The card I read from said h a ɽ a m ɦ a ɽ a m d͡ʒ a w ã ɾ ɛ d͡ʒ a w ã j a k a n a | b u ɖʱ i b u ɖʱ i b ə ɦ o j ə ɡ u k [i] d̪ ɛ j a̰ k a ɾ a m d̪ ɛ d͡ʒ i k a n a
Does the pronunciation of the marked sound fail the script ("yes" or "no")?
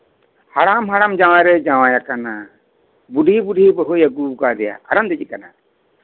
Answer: yes